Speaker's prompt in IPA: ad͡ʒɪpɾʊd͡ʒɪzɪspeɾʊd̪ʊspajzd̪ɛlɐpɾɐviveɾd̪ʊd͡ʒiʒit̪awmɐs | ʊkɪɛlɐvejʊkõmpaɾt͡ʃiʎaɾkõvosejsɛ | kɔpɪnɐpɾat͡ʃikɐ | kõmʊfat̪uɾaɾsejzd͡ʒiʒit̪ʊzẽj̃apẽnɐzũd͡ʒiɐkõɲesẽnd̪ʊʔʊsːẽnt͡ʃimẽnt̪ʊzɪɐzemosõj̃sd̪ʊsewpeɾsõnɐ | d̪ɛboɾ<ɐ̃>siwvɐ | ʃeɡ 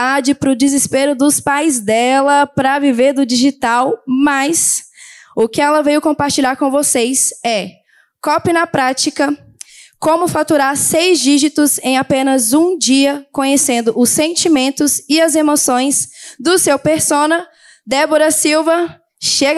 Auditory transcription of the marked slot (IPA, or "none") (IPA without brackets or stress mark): ɐ